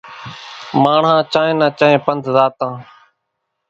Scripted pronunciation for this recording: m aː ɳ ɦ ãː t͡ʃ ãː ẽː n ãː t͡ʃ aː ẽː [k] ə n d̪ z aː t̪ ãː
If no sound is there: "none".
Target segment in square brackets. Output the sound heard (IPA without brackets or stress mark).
p